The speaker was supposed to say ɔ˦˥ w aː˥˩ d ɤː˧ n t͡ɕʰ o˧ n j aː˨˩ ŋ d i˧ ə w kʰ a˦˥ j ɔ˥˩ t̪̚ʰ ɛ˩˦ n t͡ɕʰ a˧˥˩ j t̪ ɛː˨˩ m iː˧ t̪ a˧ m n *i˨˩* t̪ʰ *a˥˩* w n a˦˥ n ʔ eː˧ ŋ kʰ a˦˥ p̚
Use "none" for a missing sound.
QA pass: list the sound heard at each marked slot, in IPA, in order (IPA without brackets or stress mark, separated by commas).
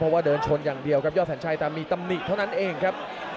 i˨˩, a˥˩